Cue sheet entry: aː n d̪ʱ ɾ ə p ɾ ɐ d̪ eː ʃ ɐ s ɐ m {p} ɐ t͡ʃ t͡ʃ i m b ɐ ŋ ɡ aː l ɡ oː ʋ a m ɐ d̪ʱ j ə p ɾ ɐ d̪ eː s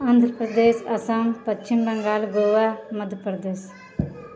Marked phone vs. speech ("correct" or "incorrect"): correct